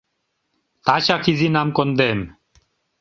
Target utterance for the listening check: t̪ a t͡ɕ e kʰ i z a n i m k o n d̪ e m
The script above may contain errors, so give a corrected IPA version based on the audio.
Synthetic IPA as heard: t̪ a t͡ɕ a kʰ i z i n a m k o n d̪ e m